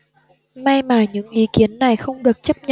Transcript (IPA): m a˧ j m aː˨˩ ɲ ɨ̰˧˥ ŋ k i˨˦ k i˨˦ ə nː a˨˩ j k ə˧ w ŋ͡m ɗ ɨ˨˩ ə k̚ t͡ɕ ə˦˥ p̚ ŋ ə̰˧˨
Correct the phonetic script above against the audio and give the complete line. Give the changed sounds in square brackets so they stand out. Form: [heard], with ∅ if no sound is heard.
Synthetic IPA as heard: m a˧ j m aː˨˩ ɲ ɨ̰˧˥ ŋ [ʔ] i˨˦ k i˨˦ ə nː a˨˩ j [x] ə˧ w ŋ͡m ɗ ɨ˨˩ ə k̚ t͡ɕ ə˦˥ p̚ [ɲ] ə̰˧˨